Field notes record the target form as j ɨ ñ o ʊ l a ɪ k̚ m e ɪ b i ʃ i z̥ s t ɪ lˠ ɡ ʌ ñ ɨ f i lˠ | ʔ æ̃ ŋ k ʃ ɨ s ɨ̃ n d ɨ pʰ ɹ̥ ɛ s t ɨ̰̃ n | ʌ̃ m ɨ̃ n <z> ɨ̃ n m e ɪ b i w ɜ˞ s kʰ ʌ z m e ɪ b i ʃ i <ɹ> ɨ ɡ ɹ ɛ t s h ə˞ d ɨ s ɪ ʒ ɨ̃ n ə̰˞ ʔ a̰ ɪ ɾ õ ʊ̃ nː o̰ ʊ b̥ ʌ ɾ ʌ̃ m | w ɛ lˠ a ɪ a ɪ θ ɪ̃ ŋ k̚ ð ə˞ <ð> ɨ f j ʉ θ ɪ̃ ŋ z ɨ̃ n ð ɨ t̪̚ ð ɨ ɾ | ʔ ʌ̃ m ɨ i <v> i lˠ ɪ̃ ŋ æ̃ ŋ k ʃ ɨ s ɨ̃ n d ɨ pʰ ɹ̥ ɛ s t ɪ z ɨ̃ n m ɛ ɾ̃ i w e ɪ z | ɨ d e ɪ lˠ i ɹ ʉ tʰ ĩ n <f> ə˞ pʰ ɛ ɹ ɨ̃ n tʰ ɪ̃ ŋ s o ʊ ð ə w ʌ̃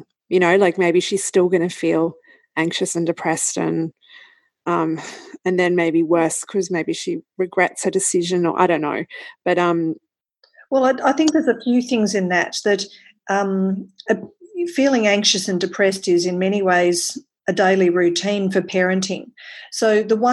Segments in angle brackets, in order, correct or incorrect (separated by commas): incorrect, correct, incorrect, incorrect, correct